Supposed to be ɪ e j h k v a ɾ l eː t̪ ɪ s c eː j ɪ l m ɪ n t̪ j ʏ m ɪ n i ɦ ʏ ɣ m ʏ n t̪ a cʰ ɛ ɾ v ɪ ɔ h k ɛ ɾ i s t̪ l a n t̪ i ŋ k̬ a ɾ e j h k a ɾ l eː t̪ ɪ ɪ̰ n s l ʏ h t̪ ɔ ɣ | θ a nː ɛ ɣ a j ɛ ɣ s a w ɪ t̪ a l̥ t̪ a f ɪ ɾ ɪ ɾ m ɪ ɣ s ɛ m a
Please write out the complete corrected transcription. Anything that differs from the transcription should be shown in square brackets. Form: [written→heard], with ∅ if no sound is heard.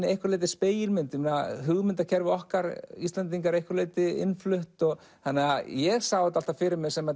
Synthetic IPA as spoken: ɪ e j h k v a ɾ l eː t̪ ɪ s [c→p] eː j ɪ l m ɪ n t̪ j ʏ m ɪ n [i→a] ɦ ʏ ɣ m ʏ n t̪ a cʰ ɛ ɾ v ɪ ɔ h k [ɛ→a] ɾ i s t̪ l a n t̪ i ŋ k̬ a ɾ e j h k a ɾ l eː t̪ ɪ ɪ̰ n [s→f] l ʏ h t̪ ɔ ɣ | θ a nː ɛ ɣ a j ɛ ɣ s a w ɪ t̪ a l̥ t̪ a f ɪ ɾ ɪ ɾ m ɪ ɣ s ɛ m a

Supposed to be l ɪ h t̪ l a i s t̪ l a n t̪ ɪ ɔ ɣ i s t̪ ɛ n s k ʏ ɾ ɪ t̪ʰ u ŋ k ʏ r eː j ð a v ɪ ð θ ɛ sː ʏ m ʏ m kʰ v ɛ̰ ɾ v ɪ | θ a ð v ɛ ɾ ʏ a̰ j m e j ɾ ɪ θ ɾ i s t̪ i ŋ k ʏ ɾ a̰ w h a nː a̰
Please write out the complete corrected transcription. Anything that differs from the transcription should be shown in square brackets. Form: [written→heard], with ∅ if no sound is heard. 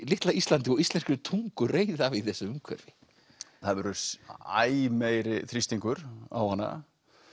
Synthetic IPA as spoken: l ɪ h t̪ l a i s t̪ l a n t̪ ɪ ɔ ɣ i s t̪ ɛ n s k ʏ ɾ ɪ t̪ʰ u ŋ k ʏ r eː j ð a v ɪ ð θ ɛ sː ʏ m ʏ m kʰ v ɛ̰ ɾ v ɪ | θ a ð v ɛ ɾ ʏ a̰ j m e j ɾ ɪ θ ɾ i s t̪ i ŋ k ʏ ɾ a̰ w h a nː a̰

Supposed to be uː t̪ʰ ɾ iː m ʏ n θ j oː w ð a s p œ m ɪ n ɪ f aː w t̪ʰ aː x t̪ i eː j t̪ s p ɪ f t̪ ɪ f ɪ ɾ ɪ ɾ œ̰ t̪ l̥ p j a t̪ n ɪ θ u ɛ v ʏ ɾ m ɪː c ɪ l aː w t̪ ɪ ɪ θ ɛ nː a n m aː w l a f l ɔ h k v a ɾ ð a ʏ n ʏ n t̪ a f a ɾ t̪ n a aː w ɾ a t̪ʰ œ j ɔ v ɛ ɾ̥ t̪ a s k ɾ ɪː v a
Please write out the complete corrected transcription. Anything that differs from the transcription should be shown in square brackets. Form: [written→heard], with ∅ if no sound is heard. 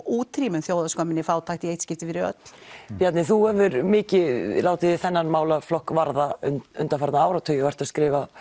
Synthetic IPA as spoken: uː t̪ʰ ɾ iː m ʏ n θ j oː w ð a s [p→k] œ m ɪ n ɪ f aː w t̪ʰ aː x t̪ i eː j t̪ s [p→c] ɪ f t̪ ɪ f ɪ ɾ ɪ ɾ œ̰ t̪ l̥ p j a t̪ n ɪ θ u ɛ v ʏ ɾ m ɪː c ɪ l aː w t̪ ɪ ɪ θ ɛ nː a n m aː w l a f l ɔ h k v a ɾ ð a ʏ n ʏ n t̪ a f a ɾ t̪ n a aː w ɾ a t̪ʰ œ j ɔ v ɛ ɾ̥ t̪ a s k ɾ ɪː v a

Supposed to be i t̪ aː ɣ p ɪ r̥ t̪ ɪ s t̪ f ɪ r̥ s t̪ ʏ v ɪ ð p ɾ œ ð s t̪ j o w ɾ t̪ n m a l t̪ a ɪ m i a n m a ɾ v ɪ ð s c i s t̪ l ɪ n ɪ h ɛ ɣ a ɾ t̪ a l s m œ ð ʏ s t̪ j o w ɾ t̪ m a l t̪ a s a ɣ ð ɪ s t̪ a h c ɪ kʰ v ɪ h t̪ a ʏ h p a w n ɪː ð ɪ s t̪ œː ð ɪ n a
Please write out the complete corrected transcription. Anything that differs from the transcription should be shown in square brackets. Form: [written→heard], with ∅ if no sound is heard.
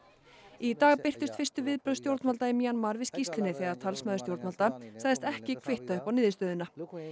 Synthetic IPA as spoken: i t̪ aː ɣ p ɪ r̥ t̪ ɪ s t̪ f ɪ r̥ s t̪ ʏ v ɪ ð p ɾ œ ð s t̪ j o w ɾ t̪ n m a l t̪ a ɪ m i a n m a ɾ v ɪ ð s c i s t̪ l ɪ n ɪ [h→θ] ɛ ɣ a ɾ [t̪→t̪ʰ] a l s m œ ð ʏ s t̪ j o w ɾ t̪ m a l t̪ a s a ɣ ð ɪ s t̪ [a→ɛ] h c ɪ kʰ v ɪ h t̪ a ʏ h p a w n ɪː ð ɪ s t̪ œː ð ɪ n a

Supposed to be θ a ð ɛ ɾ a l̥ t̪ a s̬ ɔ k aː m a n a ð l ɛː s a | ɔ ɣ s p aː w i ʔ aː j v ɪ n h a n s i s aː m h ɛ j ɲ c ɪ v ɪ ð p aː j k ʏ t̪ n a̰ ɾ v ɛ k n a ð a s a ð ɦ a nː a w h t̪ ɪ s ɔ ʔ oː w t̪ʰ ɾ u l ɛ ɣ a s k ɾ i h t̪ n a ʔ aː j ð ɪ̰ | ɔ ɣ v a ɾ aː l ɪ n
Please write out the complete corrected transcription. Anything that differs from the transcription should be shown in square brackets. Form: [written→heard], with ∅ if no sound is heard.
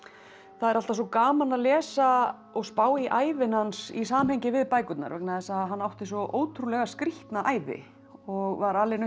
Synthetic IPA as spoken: θ a ð ɛ ɾ a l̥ t̪ a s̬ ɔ k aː m a n a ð l ɛː s a | ɔ ɣ s p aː w i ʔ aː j v ɪ n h a n s i s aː m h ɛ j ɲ c ɪ v ɪ ð p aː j k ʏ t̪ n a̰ ɾ v ɛ k n a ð [a→ɛ] s a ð ɦ a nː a w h t̪ ɪ s ɔ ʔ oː w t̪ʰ ɾ u l ɛ ɣ a s k ɾ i h t̪ n a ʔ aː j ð ɪ̰ | ɔ ɣ v a ɾ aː l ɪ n

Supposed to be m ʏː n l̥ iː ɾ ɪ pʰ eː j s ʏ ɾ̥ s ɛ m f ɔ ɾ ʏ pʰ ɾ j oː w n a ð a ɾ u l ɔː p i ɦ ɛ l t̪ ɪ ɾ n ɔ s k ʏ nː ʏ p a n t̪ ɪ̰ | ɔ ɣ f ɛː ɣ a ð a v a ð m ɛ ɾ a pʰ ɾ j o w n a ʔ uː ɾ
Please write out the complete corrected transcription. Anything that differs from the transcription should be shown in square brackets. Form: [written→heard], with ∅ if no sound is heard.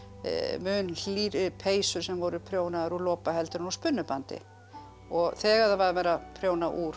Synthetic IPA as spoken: m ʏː n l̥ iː ɾ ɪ pʰ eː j s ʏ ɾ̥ s ɛ m [f→v] ɔ ɾ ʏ pʰ ɾ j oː w n a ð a ɾ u l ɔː p [i→a] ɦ ɛ l t̪ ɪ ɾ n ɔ s [k→p] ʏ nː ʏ p a n t̪ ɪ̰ | ɔ ɣ [f→θ] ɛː ɣ a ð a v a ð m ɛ ɾ a pʰ ɾ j o w n a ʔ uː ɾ

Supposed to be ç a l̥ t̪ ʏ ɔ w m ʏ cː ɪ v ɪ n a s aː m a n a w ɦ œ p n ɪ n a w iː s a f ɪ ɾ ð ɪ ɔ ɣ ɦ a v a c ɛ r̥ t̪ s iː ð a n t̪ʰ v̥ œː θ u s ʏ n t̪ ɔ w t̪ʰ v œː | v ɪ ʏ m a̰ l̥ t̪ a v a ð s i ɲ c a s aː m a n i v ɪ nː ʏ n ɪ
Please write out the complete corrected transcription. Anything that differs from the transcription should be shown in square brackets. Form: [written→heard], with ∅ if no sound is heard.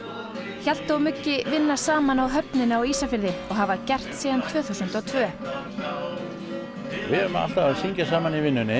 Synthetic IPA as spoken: ç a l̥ t̪ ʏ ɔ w m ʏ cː ɪ v ɪ [n→nː] a s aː m a n a w ɦ œ p n ɪ n a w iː s a f ɪ ɾ ð ɪ ɔ ɣ ɦ a v a c ɛ r̥ t̪ s iː ð a n t̪ʰ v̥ œː θ u s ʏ n t̪ ɔ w t̪ʰ v œː | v ɪ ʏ m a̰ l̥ t̪ a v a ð s i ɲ c a s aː m a n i v ɪ nː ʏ n ɪ

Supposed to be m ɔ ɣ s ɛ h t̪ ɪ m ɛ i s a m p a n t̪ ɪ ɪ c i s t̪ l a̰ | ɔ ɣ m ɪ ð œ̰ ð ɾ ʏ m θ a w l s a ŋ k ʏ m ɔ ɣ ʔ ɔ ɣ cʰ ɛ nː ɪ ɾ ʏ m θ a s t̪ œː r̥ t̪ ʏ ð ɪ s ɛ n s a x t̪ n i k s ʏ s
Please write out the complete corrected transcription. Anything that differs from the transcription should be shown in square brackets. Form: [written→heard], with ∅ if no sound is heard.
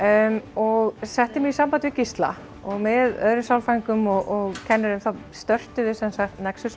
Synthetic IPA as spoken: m ɔ ɣ s ɛ h t̪ ɪ m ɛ i s a m p a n t̪ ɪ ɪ c i s t̪ l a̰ | ɔ ɣ m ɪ ð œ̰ ð ɾ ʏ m [θ→s] a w l [s→f] a ŋ k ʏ m ɔ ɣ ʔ ɔ ɣ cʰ ɛ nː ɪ ɾ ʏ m θ a s t̪ [œː→œ] r̥ t̪ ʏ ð ɪ s ɛ n s a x t̪ n [i→ɛ] k s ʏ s

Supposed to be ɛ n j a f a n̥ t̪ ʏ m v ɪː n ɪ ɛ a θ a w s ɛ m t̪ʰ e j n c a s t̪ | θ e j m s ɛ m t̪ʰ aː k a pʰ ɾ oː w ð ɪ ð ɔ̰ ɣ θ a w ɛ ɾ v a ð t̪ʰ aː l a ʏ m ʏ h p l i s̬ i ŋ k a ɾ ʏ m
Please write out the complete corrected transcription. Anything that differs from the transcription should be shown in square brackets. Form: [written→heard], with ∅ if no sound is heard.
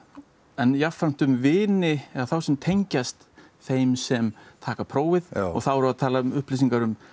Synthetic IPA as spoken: ɛ n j a f a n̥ t̪ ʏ m v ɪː n ɪ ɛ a θ a w s ɛ m t̪ʰ e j [n→ɲ] c a s t̪ | θ e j m s ɛ m t̪ʰ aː k a pʰ ɾ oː w [ð→v] ɪ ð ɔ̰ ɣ θ a w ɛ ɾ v a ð t̪ʰ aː l a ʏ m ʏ h p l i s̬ i ŋ k a ɾ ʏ m

